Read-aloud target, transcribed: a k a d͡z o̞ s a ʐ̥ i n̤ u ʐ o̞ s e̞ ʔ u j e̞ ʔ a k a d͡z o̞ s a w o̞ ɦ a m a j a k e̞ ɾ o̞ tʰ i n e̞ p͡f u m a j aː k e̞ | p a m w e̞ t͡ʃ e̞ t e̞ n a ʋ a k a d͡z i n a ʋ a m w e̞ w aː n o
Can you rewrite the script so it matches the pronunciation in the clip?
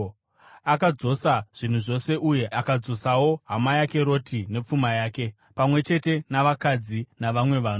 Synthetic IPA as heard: a k a d͡z o̞ s a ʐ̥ i n̤ u ʐ o̞ s e̞ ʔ u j e̞ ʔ a k a d͡z o̞ s a w o̞ ɦ a m a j a k e̞ ɾ o̞ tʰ i n e̞ p͡f u m a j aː k e̞ | p a m w e̞ t͡ʃ e̞ t e̞ n a ʋ a k a d͡z i n a ʋ a m w e̞ ʋ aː n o